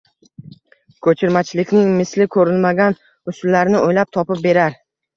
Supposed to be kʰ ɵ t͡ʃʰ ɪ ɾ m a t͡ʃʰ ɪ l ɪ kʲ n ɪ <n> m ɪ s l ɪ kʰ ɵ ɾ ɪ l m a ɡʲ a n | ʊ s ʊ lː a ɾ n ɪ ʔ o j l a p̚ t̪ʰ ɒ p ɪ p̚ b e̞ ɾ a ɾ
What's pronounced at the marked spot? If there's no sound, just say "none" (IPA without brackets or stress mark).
ŋ